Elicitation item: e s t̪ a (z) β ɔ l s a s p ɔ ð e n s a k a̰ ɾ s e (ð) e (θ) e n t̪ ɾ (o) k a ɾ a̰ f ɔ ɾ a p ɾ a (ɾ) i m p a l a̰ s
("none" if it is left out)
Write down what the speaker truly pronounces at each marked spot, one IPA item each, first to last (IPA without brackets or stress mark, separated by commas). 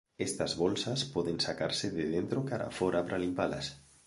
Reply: z, ð, ð, o, l